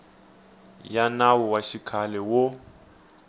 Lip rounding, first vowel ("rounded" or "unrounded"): unrounded